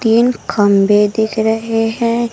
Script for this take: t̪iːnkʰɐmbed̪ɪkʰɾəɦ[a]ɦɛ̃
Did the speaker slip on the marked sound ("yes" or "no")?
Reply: yes